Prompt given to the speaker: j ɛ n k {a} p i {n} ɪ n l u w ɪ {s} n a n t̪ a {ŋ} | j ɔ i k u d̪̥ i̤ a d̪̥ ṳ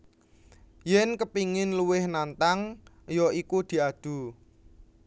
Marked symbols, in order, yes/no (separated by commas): no, no, no, yes